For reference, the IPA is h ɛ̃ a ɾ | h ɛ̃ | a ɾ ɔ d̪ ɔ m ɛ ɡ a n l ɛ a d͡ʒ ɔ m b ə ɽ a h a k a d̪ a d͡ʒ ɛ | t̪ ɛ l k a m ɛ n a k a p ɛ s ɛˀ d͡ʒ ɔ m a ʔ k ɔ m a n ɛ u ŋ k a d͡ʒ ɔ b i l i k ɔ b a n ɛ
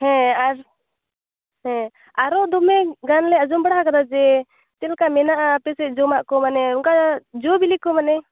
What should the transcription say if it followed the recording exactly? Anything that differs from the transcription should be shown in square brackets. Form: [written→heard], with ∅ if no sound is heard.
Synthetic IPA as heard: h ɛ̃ a ɾ | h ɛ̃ | a ɾ ɔ d̪ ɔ m ɛ ɡ a n l ɛ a d͡ʒ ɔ m b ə ɽ a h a k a d̪ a d͡ʒ ɛ | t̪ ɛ l k a m ɛ n a [k→ʔ] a p ɛ s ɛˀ d͡ʒ ɔ m a ʔ k ɔ m a n ɛ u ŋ k a d͡ʒ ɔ b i l i k ɔ [b→m] a n ɛ

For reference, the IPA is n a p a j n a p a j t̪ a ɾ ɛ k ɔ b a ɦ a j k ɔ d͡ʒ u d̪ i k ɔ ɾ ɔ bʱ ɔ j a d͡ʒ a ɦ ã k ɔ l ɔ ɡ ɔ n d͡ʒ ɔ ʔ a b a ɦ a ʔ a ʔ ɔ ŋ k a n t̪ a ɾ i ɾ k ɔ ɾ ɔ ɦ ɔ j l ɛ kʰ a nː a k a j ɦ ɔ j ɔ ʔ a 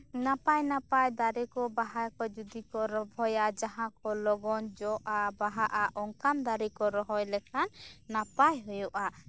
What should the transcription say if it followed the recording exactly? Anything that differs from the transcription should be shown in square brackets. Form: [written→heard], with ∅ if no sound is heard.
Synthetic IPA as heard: n a p a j n a p a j [t̪→d̪] a ɾ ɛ k ɔ b a ɦ a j k ɔ d͡ʒ u d̪ i k ɔ ɾ ɔ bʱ ɔ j a d͡ʒ a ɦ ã k ɔ l ɔ ɡ ɔ n d͡ʒ ɔ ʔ a b a ɦ a ʔ a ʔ ɔ ŋ k a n [t̪→d̪] a ɾ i [ɾ→∅] k ɔ ɾ ɔ ɦ ɔ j l ɛ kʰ a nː a [k→p] a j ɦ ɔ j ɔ ʔ a

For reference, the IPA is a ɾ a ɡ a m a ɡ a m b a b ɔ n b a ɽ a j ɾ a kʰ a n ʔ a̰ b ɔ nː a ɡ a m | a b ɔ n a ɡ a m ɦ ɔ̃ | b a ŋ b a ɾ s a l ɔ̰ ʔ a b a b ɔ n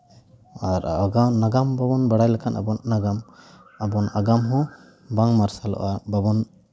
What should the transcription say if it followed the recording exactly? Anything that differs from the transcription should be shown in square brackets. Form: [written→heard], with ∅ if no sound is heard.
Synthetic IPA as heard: a ɾ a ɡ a [m→n] a ɡ a m b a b ɔ n b a ɽ a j [ɾ→l] a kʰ a n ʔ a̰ b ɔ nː a ɡ a m | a b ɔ n a ɡ a m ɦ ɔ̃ | b a ŋ [b→m] a ɾ s a l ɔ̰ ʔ a b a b ɔ n

